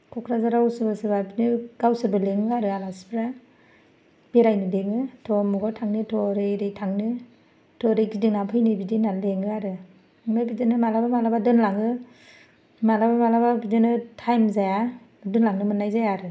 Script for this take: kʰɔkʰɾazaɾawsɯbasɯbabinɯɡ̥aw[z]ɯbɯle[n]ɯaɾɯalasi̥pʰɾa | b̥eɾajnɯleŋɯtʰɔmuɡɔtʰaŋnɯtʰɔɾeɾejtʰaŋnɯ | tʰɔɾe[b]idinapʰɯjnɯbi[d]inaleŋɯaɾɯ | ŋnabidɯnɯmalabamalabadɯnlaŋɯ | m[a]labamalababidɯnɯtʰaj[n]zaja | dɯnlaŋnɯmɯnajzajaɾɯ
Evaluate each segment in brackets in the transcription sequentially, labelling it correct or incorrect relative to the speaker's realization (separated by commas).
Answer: incorrect, incorrect, incorrect, correct, correct, incorrect